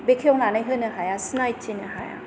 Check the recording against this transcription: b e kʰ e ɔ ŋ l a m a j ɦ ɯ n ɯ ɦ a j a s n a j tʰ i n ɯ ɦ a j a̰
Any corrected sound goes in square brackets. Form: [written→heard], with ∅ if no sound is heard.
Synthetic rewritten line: b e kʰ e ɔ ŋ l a [m→n] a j ɦ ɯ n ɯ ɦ a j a s n a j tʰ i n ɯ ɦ a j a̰